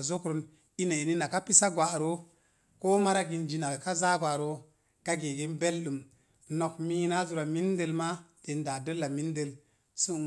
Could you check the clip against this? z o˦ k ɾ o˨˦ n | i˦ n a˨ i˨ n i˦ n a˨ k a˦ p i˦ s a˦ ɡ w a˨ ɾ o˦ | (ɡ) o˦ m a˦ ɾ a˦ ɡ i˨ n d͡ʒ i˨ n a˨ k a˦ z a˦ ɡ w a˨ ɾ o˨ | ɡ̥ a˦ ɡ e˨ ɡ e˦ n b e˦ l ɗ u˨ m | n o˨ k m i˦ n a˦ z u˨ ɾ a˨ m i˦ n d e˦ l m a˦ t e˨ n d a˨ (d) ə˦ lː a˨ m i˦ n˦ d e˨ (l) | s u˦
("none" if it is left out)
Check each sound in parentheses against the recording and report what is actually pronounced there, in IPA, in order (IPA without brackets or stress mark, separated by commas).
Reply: k, d, l